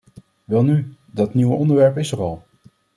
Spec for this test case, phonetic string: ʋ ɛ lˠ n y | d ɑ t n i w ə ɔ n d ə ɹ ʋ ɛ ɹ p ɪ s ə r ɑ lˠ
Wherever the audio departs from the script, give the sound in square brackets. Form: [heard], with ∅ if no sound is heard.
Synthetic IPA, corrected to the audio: ʋ ɛ lˠ n y | d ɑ t n i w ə ɔ n d ə ɹ ʋ ɛ ɹ p ɪ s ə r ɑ lˠ